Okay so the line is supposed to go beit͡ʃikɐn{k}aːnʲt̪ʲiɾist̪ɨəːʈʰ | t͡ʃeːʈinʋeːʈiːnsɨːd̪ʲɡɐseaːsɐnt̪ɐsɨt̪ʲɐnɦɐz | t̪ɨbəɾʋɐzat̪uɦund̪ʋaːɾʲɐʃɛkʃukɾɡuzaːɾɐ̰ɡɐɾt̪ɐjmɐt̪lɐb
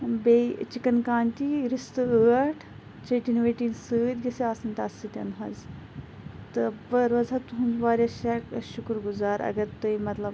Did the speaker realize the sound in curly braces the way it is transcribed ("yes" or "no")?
yes